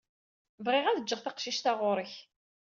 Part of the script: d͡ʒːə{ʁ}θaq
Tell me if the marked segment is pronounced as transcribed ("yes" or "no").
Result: yes